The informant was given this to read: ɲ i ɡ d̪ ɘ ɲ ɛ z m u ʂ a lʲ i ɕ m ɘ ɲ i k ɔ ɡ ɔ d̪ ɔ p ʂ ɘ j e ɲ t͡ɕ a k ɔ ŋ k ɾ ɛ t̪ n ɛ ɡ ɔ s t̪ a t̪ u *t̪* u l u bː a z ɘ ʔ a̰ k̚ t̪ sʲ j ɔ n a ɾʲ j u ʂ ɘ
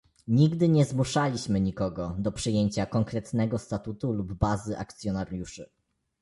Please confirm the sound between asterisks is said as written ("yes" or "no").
yes